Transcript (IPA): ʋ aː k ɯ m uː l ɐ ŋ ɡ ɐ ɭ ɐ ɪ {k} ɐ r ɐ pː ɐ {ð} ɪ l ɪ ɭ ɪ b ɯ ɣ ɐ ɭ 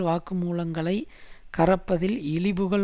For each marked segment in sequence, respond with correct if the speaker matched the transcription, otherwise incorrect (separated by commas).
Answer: correct, correct